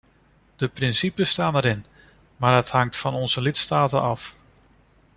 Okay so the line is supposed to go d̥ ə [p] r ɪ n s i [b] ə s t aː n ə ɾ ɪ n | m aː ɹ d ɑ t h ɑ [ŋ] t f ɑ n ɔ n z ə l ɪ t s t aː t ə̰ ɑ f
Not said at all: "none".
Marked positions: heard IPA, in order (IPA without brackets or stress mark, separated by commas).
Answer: p, p, ŋ